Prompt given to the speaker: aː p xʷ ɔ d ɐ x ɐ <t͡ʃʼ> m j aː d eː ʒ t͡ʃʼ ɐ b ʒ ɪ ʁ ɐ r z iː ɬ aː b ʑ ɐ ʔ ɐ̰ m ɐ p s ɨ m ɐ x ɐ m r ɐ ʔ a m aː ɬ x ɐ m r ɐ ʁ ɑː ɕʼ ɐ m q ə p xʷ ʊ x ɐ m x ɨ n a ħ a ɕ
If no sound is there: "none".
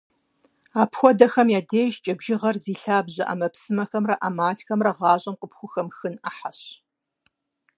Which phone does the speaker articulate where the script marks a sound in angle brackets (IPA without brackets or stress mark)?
none